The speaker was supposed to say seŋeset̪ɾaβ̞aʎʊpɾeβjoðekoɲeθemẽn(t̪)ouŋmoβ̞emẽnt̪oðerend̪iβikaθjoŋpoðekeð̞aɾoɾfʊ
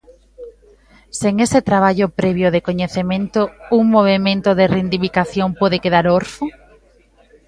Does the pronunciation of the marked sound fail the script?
no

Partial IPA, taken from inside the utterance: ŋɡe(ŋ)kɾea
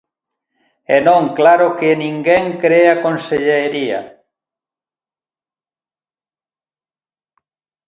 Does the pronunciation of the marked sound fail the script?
no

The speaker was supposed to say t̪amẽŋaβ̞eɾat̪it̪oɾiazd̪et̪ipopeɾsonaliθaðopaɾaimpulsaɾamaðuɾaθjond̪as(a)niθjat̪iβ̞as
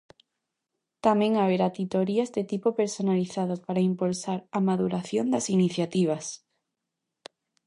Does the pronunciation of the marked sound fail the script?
yes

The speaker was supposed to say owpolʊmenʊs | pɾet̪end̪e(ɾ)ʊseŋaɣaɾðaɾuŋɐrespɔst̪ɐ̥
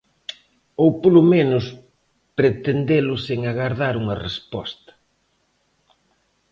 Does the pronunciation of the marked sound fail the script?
yes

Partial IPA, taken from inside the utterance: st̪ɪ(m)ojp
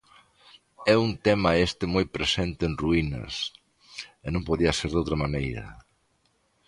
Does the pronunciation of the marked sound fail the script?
no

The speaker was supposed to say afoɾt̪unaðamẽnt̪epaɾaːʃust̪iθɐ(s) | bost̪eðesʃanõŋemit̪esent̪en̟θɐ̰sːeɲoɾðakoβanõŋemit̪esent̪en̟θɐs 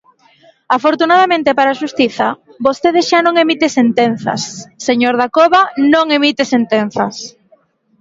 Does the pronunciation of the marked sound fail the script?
yes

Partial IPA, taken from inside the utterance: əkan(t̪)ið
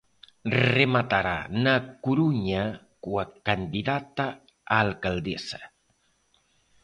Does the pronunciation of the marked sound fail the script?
yes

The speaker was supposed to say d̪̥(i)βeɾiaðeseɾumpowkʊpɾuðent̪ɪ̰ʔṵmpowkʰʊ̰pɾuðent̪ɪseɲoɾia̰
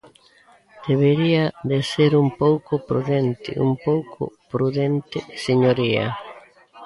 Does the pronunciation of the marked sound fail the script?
yes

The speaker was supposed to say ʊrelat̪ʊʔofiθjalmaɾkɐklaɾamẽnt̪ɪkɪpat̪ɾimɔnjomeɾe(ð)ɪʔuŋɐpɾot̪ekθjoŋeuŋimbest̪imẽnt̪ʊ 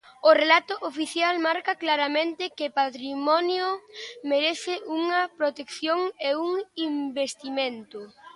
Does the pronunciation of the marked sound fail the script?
yes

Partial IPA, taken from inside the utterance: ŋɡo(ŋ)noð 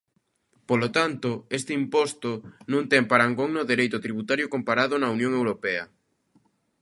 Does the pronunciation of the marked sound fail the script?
no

